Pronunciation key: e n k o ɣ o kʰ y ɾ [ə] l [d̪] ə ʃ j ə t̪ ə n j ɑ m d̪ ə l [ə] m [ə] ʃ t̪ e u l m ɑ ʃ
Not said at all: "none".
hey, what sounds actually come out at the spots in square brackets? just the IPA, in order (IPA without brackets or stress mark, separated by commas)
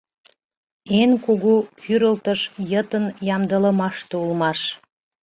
ə, t̪, ə, ɑ